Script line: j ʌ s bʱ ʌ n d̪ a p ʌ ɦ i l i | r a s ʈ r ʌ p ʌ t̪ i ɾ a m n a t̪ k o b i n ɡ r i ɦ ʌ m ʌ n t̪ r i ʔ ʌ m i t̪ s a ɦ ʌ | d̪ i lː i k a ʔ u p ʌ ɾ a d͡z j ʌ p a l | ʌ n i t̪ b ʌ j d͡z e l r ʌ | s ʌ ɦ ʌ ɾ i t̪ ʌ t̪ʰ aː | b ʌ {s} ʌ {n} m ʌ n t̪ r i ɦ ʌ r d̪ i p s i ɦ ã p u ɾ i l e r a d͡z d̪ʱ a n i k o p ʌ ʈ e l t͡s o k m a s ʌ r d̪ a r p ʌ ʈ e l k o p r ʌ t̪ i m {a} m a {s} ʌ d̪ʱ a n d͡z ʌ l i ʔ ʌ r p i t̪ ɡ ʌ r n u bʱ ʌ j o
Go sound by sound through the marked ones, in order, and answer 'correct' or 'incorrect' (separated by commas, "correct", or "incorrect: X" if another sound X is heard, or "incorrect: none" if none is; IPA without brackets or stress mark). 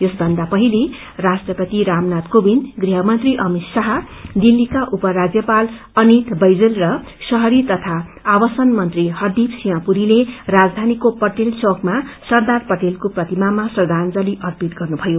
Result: correct, correct, correct, correct